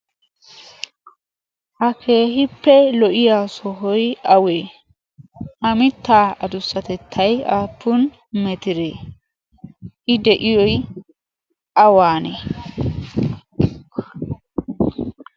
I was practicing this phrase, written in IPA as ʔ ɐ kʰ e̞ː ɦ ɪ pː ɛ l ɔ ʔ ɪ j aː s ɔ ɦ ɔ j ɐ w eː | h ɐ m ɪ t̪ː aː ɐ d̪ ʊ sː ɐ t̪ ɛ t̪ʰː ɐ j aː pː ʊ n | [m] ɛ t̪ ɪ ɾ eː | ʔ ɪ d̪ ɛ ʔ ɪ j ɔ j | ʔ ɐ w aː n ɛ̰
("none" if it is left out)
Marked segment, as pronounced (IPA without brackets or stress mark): m